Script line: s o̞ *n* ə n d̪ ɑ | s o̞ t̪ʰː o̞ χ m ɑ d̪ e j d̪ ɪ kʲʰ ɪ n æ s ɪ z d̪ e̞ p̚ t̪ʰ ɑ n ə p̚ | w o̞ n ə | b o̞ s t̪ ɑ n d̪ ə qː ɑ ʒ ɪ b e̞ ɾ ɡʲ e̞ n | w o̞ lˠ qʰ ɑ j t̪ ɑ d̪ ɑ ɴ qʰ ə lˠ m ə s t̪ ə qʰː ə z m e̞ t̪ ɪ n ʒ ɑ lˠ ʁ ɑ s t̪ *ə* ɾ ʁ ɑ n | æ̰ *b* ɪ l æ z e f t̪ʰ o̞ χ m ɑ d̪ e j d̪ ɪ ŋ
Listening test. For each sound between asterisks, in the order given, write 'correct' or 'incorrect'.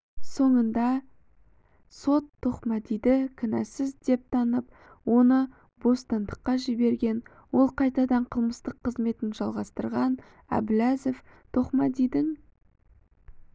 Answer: incorrect, correct, correct

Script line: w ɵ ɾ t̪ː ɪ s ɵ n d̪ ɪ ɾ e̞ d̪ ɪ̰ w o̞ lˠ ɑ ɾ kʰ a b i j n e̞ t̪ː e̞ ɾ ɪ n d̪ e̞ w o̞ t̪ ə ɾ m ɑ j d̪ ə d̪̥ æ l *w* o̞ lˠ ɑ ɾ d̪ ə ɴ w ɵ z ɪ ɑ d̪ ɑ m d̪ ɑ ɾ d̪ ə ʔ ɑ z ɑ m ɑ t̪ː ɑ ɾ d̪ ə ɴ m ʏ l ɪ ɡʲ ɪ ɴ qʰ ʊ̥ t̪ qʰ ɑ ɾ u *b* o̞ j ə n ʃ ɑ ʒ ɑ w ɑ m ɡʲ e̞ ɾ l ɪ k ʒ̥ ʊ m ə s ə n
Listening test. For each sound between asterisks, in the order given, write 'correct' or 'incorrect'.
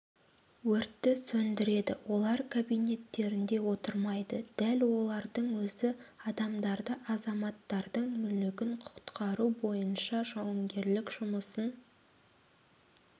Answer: correct, correct

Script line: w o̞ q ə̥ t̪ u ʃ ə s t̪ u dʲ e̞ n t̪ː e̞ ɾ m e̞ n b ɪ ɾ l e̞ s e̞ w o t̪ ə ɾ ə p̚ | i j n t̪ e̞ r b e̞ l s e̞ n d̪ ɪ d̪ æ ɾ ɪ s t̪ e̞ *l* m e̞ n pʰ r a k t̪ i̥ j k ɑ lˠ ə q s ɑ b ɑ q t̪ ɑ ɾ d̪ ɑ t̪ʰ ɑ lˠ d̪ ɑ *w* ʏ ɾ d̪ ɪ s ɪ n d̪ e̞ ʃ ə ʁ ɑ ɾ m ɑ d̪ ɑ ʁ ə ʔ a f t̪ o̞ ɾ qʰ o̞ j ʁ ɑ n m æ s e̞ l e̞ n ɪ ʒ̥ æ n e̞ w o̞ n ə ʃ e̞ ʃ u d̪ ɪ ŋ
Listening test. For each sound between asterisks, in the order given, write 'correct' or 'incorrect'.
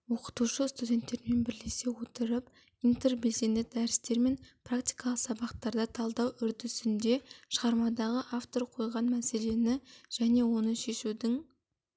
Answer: incorrect, correct

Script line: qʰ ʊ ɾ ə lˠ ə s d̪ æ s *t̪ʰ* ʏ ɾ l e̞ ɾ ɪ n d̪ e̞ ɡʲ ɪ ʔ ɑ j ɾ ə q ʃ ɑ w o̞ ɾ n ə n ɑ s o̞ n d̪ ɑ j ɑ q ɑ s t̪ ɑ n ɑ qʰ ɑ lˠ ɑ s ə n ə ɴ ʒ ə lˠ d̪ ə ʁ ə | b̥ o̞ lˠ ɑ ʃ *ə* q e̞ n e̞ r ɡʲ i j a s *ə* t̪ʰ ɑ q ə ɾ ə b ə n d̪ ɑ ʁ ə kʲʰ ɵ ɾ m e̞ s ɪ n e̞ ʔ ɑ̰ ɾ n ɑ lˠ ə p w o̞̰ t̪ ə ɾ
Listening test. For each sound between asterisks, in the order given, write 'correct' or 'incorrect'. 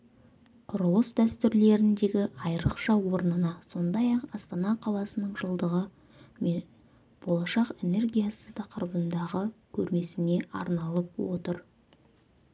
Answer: incorrect, incorrect, correct

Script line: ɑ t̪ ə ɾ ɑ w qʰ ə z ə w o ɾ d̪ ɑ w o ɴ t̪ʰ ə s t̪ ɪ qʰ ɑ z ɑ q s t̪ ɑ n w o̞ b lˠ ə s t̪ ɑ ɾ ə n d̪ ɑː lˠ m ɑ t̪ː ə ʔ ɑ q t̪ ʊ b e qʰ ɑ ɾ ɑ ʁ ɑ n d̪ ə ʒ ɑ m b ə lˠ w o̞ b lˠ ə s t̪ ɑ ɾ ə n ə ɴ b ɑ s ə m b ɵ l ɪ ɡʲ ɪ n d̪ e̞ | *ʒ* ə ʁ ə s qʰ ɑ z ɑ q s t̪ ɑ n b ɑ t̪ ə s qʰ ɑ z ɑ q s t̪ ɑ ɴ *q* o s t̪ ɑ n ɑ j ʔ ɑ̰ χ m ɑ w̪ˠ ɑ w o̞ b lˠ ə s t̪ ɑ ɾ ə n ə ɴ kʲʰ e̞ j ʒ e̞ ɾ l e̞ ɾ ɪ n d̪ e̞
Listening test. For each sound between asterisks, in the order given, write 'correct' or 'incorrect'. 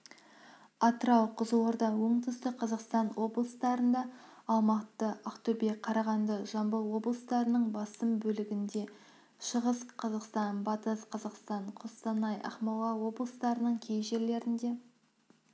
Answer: incorrect, incorrect

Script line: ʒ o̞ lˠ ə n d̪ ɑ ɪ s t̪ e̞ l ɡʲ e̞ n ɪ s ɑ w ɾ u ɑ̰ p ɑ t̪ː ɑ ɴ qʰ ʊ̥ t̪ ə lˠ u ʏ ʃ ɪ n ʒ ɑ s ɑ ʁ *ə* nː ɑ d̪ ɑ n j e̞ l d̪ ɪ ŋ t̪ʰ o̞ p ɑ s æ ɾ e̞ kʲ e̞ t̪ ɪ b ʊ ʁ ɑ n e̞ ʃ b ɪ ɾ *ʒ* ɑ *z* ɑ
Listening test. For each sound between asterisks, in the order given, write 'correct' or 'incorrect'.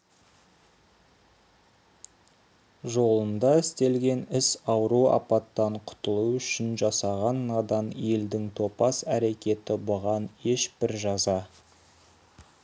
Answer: incorrect, correct, correct

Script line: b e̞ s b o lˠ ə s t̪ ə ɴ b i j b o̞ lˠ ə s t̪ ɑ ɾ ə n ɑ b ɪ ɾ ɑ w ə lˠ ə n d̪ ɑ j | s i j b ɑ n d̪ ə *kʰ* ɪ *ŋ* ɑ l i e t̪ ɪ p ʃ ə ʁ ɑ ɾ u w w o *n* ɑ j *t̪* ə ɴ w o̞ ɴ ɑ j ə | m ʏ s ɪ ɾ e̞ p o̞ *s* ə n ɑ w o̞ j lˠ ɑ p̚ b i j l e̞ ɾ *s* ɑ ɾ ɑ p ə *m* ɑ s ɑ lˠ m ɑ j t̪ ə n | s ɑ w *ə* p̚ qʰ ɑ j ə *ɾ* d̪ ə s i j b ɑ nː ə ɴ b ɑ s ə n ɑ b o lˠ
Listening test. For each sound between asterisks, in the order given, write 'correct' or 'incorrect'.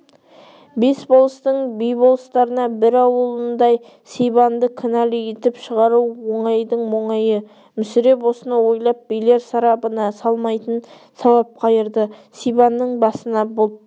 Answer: correct, incorrect, incorrect, incorrect, correct, correct, incorrect, incorrect, correct

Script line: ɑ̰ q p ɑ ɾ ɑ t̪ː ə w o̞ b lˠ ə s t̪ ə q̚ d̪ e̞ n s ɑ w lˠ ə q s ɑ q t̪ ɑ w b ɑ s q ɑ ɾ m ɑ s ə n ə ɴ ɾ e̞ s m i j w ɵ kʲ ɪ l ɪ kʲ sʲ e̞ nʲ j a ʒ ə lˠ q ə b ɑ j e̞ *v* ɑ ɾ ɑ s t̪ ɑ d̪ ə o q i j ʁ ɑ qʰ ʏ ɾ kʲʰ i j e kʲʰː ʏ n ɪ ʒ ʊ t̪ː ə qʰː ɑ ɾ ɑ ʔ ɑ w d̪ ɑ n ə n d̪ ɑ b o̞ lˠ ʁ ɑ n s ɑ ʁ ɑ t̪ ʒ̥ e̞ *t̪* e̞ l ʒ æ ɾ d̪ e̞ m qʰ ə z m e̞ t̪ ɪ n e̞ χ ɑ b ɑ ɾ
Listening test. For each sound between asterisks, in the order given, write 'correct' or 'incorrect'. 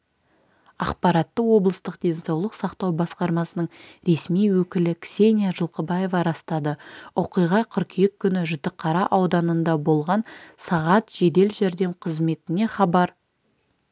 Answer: correct, incorrect

